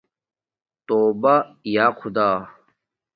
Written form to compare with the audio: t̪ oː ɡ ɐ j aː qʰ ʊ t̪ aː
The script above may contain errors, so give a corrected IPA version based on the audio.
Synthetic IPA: t̪ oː b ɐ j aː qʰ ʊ d̪ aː